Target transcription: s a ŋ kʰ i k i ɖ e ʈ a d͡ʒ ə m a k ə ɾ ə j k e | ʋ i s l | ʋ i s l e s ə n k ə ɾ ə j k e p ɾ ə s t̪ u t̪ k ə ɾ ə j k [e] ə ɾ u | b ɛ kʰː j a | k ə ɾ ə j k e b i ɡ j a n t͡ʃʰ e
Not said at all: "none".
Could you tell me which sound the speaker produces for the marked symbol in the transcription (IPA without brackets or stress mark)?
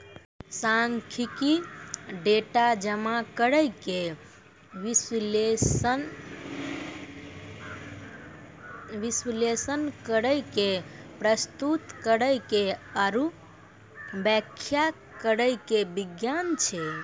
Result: e